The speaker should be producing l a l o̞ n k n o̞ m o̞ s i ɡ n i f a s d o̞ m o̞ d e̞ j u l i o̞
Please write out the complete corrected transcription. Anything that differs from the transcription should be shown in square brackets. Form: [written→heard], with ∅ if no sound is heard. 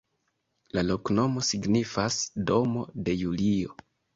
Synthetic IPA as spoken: l a l o̞ [n→∅] k n o̞ m o̞ s i ɡ n i f a s d o̞ m o̞ d e̞ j u l i o̞